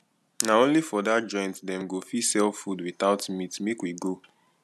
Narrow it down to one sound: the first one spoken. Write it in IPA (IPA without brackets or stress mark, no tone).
n